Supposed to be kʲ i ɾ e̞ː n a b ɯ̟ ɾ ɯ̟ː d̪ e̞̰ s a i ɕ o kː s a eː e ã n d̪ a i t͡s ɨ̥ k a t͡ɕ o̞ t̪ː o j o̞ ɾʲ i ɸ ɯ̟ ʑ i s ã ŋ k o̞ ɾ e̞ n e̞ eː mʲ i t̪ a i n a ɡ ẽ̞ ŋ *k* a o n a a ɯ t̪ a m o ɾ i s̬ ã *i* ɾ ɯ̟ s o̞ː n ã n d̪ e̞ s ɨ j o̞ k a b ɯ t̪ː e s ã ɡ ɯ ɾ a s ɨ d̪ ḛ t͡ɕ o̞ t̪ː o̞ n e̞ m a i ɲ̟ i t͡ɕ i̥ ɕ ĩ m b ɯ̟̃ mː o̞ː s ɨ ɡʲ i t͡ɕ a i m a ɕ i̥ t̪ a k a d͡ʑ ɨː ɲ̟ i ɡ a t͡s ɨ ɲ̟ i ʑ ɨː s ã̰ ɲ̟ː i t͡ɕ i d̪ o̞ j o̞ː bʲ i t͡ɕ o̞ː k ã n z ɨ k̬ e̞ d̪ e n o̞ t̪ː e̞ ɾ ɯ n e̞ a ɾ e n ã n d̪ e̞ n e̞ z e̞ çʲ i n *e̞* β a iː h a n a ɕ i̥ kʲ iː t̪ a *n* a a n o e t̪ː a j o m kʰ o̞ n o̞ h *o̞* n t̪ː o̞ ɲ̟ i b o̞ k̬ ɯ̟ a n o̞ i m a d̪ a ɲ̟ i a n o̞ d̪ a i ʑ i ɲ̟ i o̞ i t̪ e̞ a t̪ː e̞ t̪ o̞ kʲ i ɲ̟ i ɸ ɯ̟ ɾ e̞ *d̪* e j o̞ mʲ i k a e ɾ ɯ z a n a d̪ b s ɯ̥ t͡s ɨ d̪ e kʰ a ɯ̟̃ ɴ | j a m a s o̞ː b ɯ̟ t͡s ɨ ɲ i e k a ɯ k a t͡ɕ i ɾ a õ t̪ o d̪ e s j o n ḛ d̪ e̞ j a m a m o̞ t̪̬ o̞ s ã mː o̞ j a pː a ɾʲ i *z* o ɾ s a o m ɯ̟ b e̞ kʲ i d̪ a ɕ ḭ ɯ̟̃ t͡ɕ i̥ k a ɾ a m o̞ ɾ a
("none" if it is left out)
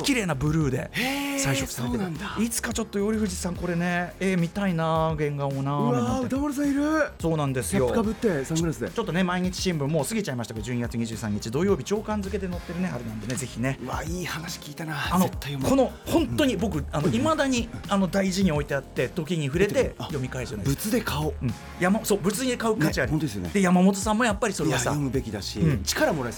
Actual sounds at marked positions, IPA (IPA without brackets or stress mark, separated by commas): ɡ, i, e̞, n, õ̞, t̪, s